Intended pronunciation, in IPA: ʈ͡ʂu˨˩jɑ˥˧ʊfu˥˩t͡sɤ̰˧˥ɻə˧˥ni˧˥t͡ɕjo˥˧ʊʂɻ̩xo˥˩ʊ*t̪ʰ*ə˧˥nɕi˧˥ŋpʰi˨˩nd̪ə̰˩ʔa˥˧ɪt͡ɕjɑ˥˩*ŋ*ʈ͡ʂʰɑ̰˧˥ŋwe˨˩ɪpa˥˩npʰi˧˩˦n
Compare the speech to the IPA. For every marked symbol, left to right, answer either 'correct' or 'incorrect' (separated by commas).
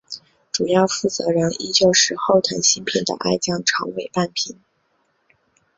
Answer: correct, correct